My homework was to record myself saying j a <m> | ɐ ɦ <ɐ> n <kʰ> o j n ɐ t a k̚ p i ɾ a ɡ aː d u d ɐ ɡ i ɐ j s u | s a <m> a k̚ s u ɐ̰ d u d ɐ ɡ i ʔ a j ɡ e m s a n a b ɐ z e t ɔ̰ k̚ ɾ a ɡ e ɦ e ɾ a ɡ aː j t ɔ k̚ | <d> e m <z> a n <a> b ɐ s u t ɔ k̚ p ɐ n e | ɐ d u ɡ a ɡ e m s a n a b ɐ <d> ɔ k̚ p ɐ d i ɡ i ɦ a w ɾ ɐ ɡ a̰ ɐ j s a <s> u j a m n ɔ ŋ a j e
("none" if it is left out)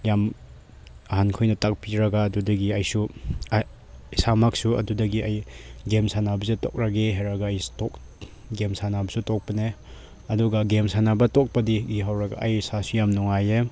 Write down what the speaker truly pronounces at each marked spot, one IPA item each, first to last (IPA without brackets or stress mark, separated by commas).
m, a, kʰ, m, ɡ, s, a, t, s